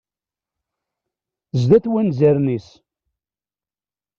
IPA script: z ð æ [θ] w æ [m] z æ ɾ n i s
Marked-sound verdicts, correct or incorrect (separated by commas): correct, incorrect